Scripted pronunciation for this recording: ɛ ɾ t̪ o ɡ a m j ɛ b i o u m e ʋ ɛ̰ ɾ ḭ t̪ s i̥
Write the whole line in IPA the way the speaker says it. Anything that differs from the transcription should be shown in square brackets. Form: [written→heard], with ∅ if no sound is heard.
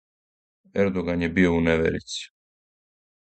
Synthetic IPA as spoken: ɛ ɾ [t̪→d̪] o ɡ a [m→n] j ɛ b i o u [m→n] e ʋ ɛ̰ ɾ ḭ t̪ s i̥